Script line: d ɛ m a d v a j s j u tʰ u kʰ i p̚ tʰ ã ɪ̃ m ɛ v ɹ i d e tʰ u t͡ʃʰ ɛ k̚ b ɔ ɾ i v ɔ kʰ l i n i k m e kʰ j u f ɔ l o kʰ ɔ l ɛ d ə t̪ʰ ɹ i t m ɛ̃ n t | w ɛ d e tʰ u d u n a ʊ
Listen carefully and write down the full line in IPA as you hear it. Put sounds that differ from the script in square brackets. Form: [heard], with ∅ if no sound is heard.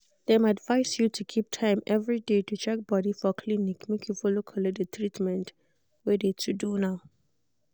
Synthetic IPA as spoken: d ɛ m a d v a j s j u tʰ u kʰ i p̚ tʰ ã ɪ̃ m ɛ v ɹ i d e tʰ u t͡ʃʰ ɛ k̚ b ɔ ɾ i [f] ɔ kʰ l i n i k m e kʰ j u f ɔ l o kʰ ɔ l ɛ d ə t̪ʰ ɹ i t m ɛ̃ n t | w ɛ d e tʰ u d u n a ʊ